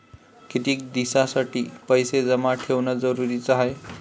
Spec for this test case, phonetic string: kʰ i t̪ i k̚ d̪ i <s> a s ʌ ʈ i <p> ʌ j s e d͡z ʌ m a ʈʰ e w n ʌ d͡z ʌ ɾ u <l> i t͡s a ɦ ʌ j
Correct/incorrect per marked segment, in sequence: correct, correct, incorrect

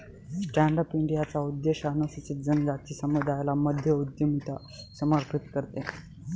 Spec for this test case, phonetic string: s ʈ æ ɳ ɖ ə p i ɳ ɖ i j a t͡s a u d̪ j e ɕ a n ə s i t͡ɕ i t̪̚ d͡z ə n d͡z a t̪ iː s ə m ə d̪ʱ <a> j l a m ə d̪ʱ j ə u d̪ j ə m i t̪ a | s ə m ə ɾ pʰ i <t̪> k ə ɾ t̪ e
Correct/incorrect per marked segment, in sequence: correct, correct

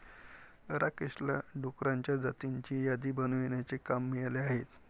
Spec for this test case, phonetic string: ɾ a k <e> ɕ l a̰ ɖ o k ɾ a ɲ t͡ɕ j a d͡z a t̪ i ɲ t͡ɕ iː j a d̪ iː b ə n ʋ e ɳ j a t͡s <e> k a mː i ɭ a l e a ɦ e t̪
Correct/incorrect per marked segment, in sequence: correct, correct

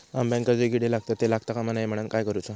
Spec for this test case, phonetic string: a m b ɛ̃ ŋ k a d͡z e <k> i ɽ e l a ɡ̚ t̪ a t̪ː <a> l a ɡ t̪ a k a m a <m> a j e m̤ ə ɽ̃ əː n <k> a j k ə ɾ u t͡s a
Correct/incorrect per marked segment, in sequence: incorrect, incorrect, incorrect, correct

